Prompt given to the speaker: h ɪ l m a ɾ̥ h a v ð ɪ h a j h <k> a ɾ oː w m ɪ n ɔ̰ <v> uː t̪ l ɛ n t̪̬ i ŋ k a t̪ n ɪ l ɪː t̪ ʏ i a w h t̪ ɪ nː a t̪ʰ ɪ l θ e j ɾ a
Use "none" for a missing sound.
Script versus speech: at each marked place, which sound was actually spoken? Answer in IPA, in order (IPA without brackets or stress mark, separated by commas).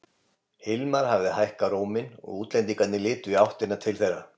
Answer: k, ɣ